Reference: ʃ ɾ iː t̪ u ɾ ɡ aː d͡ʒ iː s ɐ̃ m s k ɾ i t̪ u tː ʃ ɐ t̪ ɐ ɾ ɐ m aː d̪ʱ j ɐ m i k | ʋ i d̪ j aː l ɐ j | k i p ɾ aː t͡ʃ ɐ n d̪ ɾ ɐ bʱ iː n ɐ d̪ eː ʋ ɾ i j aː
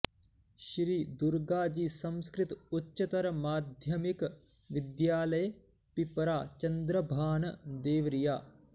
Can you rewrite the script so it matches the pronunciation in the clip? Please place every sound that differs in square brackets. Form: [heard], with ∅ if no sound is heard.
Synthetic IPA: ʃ ɾ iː [d̪] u ɾ ɡ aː d͡ʒ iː s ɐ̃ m s k ɾ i t̪ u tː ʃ ɐ t̪ ɐ ɾ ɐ m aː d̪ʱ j ɐ m i k | ʋ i d̪ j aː l ɐ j | [p] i p ɾ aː t͡ʃ ɐ n d̪ ɾ ɐ bʱ [aː] n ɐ d̪ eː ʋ ɾ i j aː

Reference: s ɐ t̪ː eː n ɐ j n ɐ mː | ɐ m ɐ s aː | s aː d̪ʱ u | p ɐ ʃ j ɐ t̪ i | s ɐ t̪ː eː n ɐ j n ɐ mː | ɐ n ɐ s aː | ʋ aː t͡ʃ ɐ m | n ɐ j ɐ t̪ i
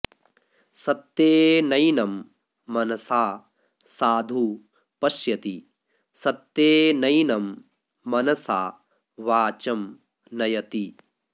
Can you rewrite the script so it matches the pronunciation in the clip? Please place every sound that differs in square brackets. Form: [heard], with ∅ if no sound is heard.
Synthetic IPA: s ɐ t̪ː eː n ɐ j n ɐ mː | ɐ [n] ɐ s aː | s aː d̪ʱ u | p ɐ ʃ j ɐ t̪ i | s ɐ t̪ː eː n ɐ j n ɐ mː | ɐ n ɐ s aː | ʋ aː t͡ʃ ɐ m | n ɐ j ɐ t̪ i

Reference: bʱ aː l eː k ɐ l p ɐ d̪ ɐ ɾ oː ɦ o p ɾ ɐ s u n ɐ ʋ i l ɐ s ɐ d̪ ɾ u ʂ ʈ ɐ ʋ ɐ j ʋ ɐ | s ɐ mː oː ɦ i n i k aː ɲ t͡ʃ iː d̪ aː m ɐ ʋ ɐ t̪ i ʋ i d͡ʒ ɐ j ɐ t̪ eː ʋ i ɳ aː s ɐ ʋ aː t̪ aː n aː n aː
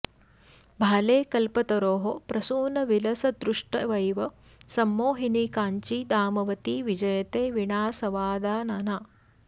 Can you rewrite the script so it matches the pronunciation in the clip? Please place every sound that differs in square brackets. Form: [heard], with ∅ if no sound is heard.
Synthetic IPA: bʱ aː l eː k ɐ l p ɐ [t̪] ɐ ɾ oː ɦ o p ɾ ɐ s [uː] n ɐ ʋ i l ɐ s ɐ d̪ ɾ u ʂ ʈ ɐ ʋ ɐ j ʋ ɐ | s ɐ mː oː ɦ i n i k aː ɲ t͡ʃ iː d̪ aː m ɐ ʋ ɐ t̪ i ʋ i d͡ʒ ɐ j ɐ t̪ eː ʋ i ɳ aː s ɐ ʋ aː [d̪] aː n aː n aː

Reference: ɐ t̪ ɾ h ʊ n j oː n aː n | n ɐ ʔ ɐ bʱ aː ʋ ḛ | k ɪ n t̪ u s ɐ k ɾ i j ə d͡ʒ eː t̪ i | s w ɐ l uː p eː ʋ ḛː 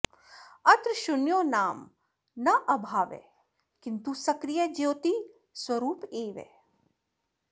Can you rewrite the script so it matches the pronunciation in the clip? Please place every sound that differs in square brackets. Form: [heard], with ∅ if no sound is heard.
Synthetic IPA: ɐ t̪ ɾ [ʃ] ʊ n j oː n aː [m] | n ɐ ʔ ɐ bʱ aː ʋ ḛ | k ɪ n t̪ u s ɐ k ɾ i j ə d͡ʒ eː t̪ i | s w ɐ [ɾ] uː p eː ʋ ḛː

